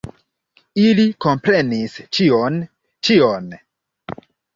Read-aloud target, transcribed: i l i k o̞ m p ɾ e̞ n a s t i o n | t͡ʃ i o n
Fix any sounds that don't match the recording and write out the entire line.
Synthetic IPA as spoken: i l i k o̞ m p ɾ e̞ n i s t͡ʃ i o n | t͡ʃ i o n